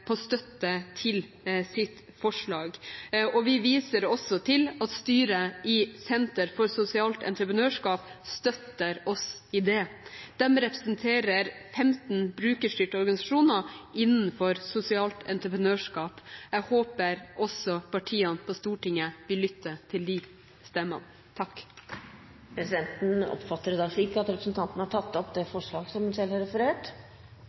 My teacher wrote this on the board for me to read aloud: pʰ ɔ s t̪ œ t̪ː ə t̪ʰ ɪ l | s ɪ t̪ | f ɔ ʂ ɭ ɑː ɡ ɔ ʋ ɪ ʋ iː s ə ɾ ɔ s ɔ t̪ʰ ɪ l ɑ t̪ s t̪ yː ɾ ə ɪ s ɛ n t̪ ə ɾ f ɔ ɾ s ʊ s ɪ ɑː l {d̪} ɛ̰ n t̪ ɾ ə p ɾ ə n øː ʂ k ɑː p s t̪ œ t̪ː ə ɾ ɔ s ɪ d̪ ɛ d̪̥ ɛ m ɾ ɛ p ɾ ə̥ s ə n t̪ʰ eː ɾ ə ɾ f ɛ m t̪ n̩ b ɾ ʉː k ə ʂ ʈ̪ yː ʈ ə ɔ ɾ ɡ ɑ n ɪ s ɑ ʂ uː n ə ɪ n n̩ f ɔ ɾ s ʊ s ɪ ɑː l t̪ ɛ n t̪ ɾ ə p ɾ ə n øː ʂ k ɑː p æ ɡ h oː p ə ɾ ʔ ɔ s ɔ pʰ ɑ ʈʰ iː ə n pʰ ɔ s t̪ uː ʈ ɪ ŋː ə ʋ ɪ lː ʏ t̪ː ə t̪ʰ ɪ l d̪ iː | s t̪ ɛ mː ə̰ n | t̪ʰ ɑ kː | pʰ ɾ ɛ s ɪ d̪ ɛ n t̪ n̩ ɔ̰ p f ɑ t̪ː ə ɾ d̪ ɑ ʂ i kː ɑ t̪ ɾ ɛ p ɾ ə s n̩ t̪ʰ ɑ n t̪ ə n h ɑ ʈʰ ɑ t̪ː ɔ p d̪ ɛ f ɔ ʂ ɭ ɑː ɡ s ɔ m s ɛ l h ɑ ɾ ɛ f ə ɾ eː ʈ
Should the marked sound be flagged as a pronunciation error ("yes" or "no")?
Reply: yes